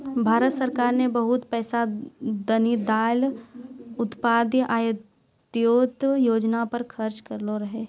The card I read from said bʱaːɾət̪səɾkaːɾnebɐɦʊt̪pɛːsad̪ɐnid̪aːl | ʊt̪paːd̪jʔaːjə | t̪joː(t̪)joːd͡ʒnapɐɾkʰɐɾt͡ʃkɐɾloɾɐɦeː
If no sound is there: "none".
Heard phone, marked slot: t̪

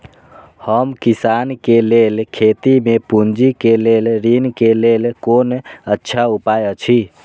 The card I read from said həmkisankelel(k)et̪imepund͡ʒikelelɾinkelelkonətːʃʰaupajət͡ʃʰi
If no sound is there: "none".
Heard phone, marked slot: kʰ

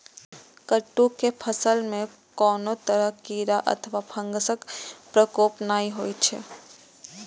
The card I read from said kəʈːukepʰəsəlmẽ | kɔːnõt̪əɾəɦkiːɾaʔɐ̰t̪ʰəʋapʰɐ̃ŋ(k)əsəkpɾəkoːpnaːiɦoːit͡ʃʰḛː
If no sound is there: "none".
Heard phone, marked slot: ɡ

